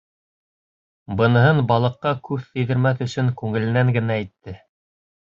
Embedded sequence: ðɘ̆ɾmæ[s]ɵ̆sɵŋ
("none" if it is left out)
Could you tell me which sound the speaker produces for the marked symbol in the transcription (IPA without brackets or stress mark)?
θ